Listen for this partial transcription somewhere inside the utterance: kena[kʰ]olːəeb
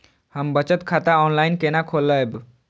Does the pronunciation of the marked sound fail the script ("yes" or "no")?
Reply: no